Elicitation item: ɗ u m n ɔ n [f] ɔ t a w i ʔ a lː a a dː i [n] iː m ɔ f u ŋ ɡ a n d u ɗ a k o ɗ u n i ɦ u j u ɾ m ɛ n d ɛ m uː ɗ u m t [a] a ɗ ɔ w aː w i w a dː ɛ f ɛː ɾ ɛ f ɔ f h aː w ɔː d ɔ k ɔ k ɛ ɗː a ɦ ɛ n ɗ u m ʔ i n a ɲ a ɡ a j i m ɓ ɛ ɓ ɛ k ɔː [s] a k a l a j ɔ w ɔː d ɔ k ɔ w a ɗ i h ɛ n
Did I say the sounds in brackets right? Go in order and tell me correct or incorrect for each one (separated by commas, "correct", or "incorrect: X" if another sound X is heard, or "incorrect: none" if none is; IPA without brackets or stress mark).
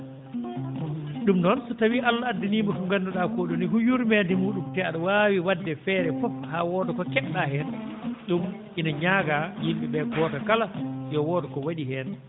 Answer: incorrect: s, correct, incorrect: ɛ, incorrect: t